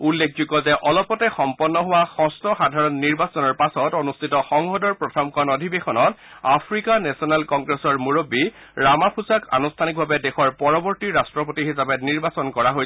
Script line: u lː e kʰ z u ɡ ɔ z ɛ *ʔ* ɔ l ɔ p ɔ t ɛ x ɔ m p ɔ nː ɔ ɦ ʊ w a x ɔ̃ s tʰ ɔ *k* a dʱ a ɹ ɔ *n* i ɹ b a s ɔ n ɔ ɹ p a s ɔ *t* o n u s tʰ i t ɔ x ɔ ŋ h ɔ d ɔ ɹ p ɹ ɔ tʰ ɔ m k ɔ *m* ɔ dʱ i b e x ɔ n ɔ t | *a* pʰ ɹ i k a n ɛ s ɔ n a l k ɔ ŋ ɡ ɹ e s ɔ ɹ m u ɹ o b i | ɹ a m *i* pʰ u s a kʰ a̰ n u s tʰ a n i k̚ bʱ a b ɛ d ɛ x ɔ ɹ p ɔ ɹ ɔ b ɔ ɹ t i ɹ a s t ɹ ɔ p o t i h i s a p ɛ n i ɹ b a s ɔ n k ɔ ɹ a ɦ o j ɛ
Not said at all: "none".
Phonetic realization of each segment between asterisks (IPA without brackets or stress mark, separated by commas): ʔ, x, nː, t, n, a, a